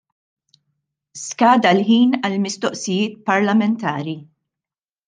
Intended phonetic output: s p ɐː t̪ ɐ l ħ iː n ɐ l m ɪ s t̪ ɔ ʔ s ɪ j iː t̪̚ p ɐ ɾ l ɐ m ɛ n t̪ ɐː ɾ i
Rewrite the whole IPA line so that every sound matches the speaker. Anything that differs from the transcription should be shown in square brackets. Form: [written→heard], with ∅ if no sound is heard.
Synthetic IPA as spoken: s [p→k] ɐː [t̪→d̪] ɐ l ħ iː n ɐ l m ɪ s t̪ ɔ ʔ s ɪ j [iː→ɪː] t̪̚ p ɐ ɾ l ɐ m ɛ n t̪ ɐː ɾ i

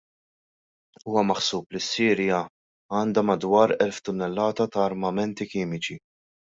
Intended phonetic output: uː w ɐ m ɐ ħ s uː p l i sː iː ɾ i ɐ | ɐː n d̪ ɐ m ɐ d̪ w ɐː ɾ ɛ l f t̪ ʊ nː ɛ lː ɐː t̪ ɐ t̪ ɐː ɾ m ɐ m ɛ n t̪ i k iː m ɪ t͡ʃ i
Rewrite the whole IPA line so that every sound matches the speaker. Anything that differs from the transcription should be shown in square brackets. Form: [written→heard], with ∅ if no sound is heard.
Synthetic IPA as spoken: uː w ɐ m ɐ ħ s uː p l i sː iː ɾ [i→j] ɐ | ɐː n d̪ ɐ m ɐ d̪ w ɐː ɾ ɛ l f t̪ ʊ nː ɛ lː ɐː t̪ ɐ t̪ ɐː ɾ m ɐ m ɛ n t̪ i k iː m ɪ t͡ʃ i

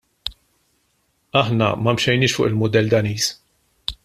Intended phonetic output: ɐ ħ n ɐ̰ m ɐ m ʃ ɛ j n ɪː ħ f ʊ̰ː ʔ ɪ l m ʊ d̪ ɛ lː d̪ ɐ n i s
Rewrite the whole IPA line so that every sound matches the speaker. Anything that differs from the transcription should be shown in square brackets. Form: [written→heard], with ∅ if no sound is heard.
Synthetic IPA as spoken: ɐ ħ n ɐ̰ m ɐ m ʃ ɛ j n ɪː [ħ→ʃ] f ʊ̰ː ʔ ɪ l m ʊ d̪ ɛ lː d̪ ɐ n [i→iː] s

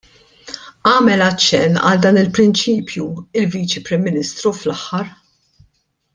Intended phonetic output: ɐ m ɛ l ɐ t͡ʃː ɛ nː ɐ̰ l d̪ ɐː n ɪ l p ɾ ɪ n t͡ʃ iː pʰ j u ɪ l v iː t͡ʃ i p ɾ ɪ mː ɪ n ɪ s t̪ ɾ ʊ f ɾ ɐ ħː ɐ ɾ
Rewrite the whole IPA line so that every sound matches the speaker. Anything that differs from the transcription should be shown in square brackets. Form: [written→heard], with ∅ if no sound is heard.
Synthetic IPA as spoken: [ɐ→ɐː] m ɛ l ɐ t͡ʃː ɛ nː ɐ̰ l d̪ ɐː n ɪ l p ɾ ɪ n t͡ʃ iː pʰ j u ɪ l v iː t͡ʃ i p ɾ ɪ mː ɪ n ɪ s t̪ ɾ [ʊ→u] f [ɾ→l] ɐ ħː ɐ ɾ

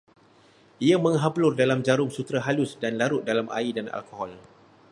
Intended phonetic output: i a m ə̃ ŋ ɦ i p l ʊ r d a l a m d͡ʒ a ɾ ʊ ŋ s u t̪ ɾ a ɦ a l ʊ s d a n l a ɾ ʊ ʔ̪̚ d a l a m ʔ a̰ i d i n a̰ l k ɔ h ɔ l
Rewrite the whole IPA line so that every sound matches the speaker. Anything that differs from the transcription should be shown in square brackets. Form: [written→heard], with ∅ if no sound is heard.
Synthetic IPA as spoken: i a m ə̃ ŋ ɦ [i→a] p l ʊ r d a l a m d͡ʒ a ɾ ʊ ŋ s u t̪ ɾ a ɦ a l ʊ s d a n l a ɾ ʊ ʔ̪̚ d a l a m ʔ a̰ i d [i→a] n a̰ l k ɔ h ɔ l

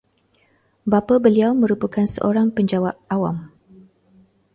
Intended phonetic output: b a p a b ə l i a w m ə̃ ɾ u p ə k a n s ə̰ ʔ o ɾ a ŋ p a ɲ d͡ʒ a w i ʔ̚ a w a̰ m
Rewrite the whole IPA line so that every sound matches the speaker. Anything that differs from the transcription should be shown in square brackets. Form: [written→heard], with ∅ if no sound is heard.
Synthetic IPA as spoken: b a p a b ə l i a w m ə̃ ɾ u p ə k a n s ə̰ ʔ o ɾ a ŋ p [a→ə] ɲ d͡ʒ a w [i→a] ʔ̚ a w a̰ m

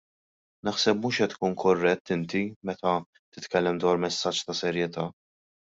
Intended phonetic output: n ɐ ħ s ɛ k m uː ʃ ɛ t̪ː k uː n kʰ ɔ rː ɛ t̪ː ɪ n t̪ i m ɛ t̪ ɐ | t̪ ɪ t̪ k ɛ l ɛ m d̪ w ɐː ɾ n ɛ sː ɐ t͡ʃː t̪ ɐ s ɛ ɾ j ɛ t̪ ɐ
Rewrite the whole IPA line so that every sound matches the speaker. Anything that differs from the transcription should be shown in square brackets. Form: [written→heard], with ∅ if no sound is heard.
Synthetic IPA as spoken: n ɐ ħ s ɛ [k→p] m uː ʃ ɛ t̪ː k uː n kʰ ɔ rː ɛ t̪ː ɪ n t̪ i m ɛ t̪ ɐ | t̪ ɪ t̪ k ɛ [l→lː] ɛ m d̪ w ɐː ɾ [n→m] ɛ sː ɐ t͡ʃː t̪ ɐ s ɛ ɾ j ɛ t̪ [ɐ→ɐː]

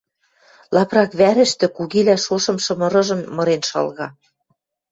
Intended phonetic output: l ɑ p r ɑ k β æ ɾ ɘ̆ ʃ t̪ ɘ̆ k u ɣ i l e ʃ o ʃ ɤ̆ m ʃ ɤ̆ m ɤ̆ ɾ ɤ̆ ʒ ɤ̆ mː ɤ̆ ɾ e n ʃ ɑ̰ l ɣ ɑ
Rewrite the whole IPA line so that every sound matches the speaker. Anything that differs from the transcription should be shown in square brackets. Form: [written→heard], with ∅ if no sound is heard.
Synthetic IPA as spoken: l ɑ p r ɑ k β æ ɾ ɘ̆ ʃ t̪ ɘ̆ k u ɣ i l [e→æ] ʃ o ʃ ɤ̆ m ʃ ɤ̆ m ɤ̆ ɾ ɤ̆ ʒ ɤ̆ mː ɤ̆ ɾ e n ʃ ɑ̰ l ɣ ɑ

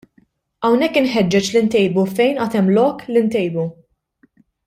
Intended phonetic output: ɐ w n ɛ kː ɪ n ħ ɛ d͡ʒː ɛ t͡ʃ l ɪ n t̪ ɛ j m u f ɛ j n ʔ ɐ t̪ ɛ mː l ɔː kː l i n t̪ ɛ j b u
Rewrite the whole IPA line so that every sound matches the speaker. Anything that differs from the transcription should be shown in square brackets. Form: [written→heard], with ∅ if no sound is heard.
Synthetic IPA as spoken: ɐ w n ɛ kː ɪ n ħ ɛ d͡ʒː ɛ t͡ʃ l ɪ n t̪ ɛ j [m→b] u f ɛ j n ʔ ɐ t̪ ɛ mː l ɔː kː l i n t̪ ɛ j b u

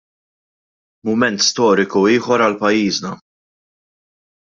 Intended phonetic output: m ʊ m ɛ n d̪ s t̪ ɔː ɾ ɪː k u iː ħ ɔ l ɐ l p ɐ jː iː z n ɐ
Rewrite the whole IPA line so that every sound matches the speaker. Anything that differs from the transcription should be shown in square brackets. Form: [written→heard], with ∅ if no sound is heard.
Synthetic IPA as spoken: m ʊ m ɛ n [d̪→t̪] s t̪ ɔː ɾ [ɪː→ɪ] k u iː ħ ɔ [l→ɾ] ɐ l p ɐ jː iː z n ɐ

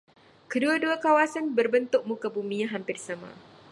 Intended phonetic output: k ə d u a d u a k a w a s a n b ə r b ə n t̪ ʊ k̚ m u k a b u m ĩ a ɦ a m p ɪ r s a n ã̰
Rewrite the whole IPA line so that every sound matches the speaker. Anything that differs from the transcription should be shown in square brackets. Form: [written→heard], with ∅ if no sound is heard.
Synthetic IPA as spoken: k ə d u a d u a k a w a s a n b ə r b ə n t̪ ʊ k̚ m u k a b u m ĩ a ɦ a m p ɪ r s a [n→m] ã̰

